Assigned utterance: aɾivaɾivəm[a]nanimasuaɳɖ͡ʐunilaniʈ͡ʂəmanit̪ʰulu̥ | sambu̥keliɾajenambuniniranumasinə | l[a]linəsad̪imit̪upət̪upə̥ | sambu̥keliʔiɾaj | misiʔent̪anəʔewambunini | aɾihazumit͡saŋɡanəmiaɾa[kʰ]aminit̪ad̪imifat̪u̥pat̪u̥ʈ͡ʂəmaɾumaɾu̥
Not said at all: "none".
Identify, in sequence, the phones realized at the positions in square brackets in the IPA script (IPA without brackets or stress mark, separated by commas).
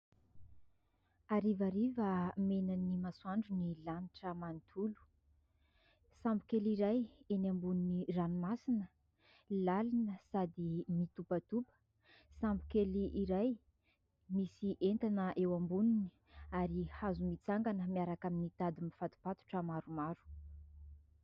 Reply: e, a, k